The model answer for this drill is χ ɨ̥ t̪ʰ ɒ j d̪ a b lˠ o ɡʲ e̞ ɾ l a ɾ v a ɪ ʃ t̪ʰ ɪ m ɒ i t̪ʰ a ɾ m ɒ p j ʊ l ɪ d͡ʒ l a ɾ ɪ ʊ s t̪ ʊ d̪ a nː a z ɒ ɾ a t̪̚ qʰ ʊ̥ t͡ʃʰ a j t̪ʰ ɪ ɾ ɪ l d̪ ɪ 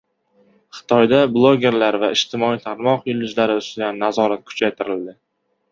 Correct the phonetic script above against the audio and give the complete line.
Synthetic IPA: χ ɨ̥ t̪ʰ ɒ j d̪ a b lˠ o ɡʲ e̞ ɾ l a ɾ v a ɪ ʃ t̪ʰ ɪ m ɒ i t̪ʰ a ɾ m ɒ q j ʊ l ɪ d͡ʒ l a ɾ ɪ ʊ s t̪ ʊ d̪ a nː a z ɒ ɾ a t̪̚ kʰ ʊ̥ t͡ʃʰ a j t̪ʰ ɪ ɾ ɪ l d̪ ɪ